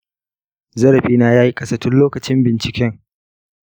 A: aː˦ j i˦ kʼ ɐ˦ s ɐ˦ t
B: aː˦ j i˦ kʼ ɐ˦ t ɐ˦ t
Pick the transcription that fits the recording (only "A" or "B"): A